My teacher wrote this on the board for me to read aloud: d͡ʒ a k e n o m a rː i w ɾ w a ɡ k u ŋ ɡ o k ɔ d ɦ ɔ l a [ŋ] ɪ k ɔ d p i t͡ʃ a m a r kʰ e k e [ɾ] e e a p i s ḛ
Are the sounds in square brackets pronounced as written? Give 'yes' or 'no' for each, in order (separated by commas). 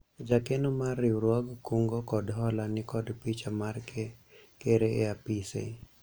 no, yes